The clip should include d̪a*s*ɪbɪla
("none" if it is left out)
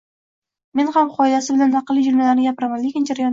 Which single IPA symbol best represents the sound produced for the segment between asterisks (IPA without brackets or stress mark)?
s